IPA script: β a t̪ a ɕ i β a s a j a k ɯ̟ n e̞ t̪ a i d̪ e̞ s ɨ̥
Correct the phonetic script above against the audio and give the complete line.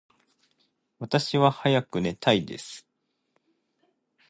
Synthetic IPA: β a t̪ a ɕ i β a h a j a k ɯ̟ n e̞ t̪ a i d̪ e̞ s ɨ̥

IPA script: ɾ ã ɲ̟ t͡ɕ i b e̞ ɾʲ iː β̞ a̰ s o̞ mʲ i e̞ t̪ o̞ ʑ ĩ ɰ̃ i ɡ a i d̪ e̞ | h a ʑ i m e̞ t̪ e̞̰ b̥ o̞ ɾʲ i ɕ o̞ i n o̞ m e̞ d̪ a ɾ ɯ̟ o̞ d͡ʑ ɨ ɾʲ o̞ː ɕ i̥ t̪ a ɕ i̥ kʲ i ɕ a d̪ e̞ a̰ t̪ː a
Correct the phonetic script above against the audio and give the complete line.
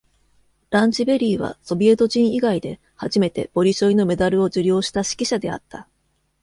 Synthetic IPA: ɾ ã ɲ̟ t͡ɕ i b e̞ ɾʲ iː β̞ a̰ s o̞ bʲ i e̞ t̪ o̞ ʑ ĩ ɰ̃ i ɡ a i d̪ e̞ | h a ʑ i m e̞ t̪ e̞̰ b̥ o̞ ɾʲ i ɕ o̞ i n o̞ m e̞ d̪ a ɾ ɯ̟ o̞ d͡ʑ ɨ ɾʲ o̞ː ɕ i̥ t̪ a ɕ i̥ kʲ i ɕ a d̪ e̞ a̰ t̪ː a

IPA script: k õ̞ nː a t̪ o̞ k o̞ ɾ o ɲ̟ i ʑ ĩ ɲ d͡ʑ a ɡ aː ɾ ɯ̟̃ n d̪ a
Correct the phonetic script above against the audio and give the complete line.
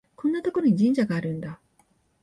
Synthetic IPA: k õ̞ nː a t̪ o̞ k o̞ ɾ o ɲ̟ i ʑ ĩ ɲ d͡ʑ a ɡ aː ɾ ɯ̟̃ n d̪ a

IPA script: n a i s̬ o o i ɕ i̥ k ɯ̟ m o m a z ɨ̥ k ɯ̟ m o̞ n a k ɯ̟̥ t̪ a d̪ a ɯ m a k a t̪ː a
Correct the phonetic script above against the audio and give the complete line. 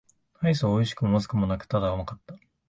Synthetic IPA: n a i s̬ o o i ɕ i̥ k ɯ̟ m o m a z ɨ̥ k ɯ̟ m o̞ n a k ɯ̟̥ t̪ a d̪ a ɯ m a k a t̪ː a

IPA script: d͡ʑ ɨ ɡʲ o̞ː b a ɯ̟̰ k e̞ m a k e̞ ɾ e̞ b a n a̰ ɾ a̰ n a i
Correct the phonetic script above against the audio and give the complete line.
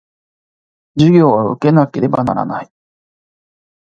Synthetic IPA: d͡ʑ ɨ ɡʲ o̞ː β a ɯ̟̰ k e̞ n a k e̞ ɾ e̞ b a n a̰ ɾ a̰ n a i

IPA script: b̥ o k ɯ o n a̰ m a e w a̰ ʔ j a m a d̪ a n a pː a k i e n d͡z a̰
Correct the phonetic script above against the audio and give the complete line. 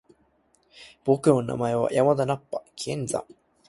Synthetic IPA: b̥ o k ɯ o n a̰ m a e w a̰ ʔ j a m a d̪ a n a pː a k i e n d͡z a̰

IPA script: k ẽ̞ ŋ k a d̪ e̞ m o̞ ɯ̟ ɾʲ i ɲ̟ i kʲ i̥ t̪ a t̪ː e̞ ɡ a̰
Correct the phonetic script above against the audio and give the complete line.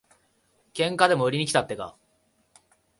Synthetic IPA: k ẽ̞ ŋ k a d̪ e̞ m o̞ ɯ̟ ɾʲ i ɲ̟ i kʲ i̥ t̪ a t̪ː e̞ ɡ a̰

